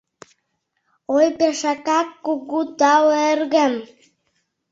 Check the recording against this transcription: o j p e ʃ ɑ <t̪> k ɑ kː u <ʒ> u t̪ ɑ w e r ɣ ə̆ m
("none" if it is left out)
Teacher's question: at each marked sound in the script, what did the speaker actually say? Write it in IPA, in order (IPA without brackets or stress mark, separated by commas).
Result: none, ɣ